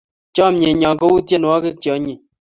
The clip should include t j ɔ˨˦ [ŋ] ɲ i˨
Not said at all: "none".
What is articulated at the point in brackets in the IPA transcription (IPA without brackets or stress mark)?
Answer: none